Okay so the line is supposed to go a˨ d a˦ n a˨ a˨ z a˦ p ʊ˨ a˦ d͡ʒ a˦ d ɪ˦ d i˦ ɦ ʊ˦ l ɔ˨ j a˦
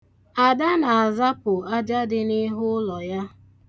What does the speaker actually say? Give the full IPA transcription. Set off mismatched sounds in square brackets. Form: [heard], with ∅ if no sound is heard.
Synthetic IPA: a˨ d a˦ n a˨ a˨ z a˦ p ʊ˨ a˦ d͡ʒ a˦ d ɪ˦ [n] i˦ ɦ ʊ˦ l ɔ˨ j a˦